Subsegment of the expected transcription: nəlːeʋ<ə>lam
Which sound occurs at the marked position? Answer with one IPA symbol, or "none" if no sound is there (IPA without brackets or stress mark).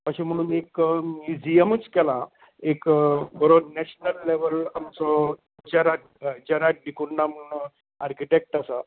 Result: ə